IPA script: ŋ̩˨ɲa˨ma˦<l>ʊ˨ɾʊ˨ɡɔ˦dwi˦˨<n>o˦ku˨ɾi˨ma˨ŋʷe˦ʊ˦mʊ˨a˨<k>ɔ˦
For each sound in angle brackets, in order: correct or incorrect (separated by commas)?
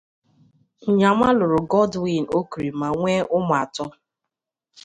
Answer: correct, correct, incorrect